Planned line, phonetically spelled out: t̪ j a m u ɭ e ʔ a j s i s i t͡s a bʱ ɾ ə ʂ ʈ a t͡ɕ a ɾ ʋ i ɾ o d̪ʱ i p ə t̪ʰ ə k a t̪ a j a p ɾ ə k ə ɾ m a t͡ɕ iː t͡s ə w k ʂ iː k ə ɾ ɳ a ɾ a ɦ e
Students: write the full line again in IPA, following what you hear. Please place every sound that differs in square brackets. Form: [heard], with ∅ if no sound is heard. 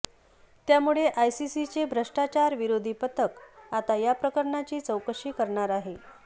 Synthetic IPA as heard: t̪ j a m u ɭ e ʔ a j s i s i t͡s [e] bʱ ɾ ə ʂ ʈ a t͡ɕ a ɾ ʋ i ɾ o d̪ʱ i p ə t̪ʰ ə k a t̪ a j a p ɾ ə k ə ɾ [ɳ] a t͡ɕ iː t͡s ə w k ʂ iː k ə ɾ ɳ a ɾ a ɦ e